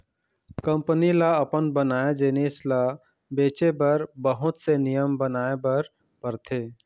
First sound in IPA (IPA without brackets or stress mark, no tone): k